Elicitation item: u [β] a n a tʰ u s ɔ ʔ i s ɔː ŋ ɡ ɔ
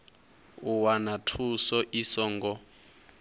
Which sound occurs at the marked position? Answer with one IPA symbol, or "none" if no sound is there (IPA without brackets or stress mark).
w